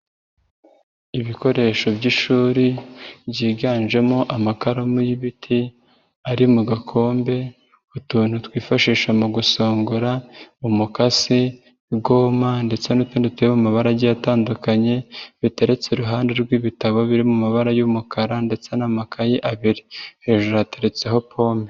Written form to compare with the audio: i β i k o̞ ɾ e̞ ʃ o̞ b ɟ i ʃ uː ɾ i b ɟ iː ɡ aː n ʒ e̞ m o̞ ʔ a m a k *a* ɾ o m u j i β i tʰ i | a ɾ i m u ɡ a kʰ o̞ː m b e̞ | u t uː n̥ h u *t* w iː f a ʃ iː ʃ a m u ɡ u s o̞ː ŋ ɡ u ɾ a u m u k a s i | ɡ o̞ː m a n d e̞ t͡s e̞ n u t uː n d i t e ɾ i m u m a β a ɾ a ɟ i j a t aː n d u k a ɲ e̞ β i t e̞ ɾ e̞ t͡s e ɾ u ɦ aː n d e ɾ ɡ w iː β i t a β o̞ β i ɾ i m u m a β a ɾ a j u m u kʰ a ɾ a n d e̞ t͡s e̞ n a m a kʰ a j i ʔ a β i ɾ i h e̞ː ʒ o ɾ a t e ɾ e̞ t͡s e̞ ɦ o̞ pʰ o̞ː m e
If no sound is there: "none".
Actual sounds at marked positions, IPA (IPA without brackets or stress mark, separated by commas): a, t